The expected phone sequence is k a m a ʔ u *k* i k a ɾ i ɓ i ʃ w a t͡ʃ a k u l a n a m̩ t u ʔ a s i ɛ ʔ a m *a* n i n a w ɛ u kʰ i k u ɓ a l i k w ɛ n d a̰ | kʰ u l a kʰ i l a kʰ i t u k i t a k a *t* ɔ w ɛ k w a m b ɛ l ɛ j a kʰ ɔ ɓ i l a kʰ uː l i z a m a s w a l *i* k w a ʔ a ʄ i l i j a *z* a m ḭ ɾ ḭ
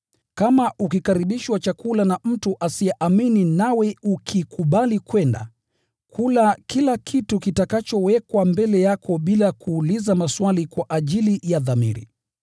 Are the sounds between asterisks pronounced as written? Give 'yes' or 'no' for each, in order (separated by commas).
yes, no, no, yes, no